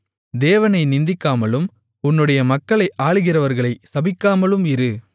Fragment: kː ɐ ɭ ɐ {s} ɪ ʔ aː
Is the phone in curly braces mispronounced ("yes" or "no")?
yes